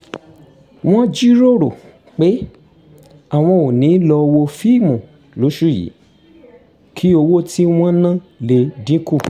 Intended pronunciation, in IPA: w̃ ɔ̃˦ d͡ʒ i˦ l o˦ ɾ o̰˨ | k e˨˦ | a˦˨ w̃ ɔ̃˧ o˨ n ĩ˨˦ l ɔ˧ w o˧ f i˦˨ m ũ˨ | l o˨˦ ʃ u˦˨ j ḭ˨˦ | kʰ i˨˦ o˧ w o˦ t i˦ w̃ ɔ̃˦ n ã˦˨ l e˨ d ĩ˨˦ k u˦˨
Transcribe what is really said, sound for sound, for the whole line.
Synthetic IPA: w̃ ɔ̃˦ d͡ʒ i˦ ɾ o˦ ɾ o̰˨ | k͡p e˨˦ | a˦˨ w̃ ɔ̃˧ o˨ n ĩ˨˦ l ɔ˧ w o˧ f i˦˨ m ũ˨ | l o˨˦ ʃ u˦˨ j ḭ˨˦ | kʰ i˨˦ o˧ w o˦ t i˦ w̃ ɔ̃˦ n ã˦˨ l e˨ d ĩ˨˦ k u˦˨